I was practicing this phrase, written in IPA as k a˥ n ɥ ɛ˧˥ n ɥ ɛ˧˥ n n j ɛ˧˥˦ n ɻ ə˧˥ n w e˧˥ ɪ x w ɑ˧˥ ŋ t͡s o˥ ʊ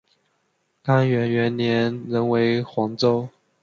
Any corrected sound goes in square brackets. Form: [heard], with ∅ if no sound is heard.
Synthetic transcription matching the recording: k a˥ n ɥ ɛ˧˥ n ɥ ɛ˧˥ n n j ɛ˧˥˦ n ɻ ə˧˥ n w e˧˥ ɪ x w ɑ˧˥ ŋ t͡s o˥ ʊ